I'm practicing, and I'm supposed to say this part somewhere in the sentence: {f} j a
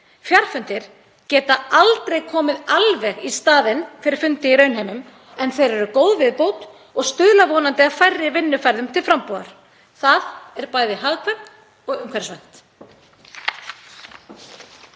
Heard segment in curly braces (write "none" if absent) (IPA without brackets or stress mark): f